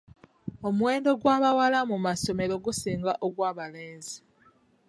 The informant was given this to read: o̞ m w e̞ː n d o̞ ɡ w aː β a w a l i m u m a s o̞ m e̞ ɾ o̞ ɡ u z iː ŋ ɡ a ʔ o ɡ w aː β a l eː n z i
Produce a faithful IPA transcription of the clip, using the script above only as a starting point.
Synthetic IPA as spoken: o̞ m w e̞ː n d o̞ ɡ w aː β a w a l a m u m a s o̞ m e̞ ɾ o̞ ɡ u s iː ŋ ɡ a ʔ o ɡ w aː β a l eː n z i